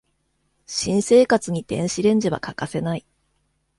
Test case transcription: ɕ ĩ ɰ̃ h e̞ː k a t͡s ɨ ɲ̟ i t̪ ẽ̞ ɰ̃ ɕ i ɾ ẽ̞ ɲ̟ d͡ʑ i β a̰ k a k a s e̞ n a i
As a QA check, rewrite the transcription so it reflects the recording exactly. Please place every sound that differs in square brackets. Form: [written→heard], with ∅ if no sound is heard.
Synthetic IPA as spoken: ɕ ĩ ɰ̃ [h→s] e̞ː k a t͡s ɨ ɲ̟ i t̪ ẽ̞ ɰ̃ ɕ i ɾ ẽ̞ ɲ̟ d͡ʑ i β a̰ k a k a s e̞ n a i